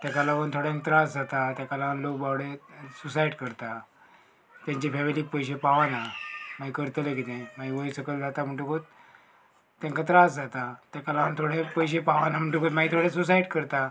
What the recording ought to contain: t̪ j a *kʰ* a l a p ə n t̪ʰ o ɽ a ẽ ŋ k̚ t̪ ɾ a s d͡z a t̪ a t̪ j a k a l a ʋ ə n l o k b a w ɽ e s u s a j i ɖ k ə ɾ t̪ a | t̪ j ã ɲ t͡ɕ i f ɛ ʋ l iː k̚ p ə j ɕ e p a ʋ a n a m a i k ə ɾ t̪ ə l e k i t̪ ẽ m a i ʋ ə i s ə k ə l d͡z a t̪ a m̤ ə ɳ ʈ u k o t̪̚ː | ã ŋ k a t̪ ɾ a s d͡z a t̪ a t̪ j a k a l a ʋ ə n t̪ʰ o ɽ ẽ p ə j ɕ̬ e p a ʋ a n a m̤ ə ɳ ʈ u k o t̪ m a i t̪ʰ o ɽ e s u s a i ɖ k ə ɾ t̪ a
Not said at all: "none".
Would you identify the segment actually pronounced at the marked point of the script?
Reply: k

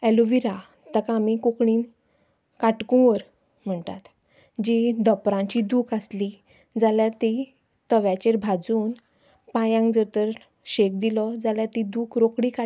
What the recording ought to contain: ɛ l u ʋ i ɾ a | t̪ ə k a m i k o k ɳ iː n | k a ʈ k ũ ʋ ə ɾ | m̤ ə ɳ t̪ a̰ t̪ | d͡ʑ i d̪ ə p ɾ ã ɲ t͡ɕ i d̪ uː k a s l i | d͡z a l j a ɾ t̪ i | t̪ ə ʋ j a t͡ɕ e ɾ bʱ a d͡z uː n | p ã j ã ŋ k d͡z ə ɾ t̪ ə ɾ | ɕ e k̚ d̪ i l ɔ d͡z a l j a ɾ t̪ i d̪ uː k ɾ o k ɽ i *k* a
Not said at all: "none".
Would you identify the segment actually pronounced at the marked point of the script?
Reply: k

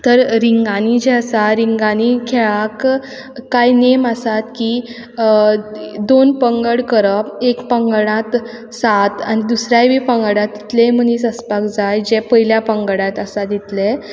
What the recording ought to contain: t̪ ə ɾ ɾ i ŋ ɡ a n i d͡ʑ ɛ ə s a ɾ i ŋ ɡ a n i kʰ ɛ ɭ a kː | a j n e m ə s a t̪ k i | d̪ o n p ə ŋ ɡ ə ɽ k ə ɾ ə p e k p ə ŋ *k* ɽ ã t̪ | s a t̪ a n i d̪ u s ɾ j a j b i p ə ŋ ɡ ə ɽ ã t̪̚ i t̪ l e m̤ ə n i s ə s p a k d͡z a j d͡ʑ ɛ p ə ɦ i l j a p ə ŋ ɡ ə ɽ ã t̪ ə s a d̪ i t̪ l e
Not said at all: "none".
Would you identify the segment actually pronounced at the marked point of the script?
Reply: ɡ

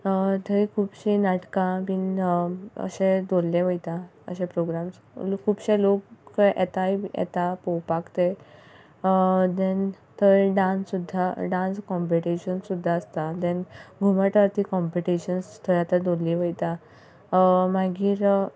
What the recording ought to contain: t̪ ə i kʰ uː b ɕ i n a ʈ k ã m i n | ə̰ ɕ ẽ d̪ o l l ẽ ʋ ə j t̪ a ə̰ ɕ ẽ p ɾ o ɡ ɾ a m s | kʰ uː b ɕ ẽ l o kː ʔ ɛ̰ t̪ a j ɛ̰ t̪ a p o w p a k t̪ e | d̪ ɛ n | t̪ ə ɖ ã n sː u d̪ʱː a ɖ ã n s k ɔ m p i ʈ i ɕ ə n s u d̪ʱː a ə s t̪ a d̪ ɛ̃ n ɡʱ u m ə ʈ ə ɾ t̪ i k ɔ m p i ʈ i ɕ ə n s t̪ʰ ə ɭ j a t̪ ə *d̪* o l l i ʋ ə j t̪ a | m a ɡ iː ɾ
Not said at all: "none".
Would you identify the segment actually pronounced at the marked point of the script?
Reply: d̪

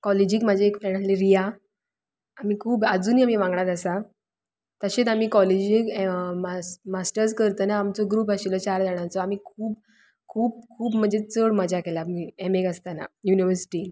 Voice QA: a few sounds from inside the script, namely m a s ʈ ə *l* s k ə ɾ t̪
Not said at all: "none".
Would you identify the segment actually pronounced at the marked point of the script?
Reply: ɾ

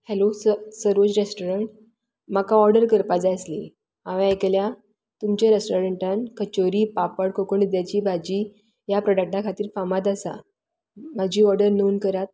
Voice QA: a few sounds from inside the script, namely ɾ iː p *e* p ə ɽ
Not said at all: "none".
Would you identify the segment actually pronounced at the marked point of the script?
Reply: a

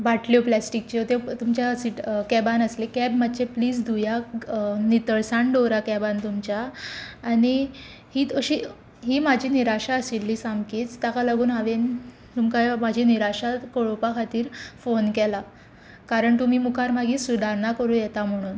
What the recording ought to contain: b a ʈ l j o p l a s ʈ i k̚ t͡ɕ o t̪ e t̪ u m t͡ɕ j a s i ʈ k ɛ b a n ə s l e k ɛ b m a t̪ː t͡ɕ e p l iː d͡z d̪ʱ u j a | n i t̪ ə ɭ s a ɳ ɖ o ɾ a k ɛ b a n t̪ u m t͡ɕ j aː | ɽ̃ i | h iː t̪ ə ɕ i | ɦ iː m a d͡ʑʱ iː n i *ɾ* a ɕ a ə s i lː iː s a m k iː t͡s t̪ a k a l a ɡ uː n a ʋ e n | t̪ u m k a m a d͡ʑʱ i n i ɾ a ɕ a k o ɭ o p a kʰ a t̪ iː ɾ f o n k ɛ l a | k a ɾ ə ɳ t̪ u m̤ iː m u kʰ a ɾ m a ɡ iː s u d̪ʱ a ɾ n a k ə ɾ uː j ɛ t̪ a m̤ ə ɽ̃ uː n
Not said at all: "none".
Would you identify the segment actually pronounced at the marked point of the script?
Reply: ɾ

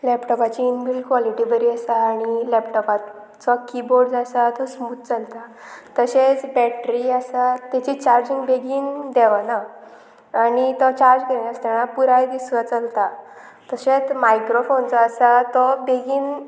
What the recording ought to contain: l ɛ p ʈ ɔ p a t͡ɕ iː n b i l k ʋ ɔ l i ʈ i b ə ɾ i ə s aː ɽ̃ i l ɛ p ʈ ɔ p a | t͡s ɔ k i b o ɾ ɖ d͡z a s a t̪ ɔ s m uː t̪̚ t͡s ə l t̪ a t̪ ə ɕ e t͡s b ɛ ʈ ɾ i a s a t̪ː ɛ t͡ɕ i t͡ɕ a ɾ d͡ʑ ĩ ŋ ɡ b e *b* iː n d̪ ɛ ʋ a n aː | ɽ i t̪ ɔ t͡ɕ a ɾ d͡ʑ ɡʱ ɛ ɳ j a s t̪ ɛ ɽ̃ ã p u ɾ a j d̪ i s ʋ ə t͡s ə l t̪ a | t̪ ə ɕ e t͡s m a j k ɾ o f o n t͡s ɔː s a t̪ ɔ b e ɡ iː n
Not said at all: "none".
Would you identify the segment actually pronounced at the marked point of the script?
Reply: ɡ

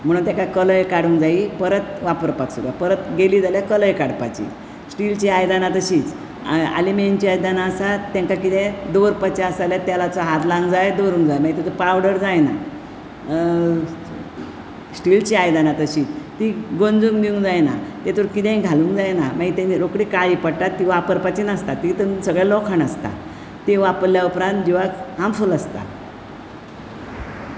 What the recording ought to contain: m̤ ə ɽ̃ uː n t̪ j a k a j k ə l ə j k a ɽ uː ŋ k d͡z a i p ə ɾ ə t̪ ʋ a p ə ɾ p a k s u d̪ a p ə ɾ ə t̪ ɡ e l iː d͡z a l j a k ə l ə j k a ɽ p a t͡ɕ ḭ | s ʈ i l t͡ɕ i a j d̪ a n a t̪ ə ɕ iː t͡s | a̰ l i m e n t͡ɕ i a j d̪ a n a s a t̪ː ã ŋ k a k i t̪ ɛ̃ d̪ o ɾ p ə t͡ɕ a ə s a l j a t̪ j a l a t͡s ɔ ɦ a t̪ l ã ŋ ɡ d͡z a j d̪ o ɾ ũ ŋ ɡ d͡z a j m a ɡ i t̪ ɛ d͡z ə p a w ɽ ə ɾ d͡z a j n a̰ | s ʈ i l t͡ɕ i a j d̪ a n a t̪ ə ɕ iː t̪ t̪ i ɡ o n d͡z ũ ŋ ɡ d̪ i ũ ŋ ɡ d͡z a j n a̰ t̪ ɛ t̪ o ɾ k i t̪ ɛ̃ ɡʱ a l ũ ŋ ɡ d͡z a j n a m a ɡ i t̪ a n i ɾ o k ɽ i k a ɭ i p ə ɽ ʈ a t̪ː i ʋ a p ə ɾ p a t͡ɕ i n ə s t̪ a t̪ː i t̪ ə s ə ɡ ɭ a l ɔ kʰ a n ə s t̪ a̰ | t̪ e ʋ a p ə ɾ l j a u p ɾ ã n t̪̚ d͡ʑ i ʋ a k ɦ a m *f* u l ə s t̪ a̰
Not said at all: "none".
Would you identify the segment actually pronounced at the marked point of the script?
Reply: f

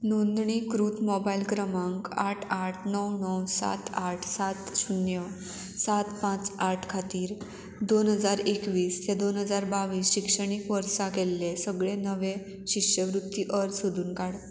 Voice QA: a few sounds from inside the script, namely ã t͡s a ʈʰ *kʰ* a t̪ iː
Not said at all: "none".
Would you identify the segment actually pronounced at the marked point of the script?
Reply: kʰ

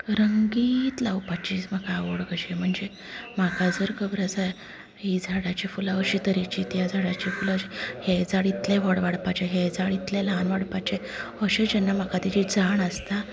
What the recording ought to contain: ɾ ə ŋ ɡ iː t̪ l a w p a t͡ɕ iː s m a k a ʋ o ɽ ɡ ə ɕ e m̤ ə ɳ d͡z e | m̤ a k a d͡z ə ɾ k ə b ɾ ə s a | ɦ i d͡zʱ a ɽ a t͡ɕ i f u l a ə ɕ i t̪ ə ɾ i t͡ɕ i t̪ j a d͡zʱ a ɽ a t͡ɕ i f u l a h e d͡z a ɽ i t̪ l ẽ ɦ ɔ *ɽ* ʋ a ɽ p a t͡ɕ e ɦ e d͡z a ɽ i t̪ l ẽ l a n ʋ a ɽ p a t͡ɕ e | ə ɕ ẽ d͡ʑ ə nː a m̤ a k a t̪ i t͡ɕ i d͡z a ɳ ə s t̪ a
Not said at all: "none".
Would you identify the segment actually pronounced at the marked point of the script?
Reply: ɽ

